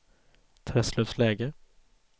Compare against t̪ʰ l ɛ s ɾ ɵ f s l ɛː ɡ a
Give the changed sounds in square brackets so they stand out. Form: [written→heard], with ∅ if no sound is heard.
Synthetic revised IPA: t̪ʰ [l→ɾ] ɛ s [ɾ→l] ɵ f s l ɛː ɡ [a→ə]